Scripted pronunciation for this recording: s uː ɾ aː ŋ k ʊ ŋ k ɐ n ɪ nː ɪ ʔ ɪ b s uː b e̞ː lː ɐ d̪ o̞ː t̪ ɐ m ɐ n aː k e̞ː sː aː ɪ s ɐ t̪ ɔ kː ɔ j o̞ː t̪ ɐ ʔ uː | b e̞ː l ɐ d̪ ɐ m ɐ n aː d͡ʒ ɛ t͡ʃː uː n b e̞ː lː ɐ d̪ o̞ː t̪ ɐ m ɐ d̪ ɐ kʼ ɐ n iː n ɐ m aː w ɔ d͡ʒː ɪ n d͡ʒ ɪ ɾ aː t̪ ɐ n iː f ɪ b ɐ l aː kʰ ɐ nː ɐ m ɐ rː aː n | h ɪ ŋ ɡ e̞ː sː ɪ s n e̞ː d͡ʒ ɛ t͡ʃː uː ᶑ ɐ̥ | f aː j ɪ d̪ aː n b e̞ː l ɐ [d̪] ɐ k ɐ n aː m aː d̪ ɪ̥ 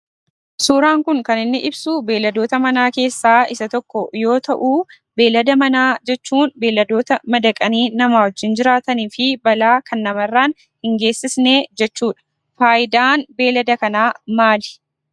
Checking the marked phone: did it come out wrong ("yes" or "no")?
no